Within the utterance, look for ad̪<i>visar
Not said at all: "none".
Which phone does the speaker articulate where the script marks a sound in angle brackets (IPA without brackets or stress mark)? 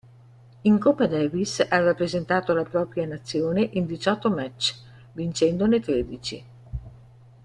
ɛ